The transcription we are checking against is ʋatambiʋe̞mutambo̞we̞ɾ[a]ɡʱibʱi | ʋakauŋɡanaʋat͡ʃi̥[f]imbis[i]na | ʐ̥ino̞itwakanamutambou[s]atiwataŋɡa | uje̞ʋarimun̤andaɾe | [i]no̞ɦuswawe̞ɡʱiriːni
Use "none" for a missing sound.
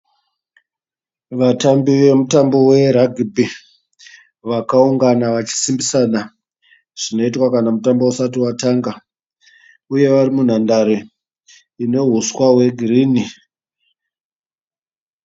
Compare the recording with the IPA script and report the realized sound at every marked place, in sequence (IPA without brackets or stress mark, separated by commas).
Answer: a, s, a, s, i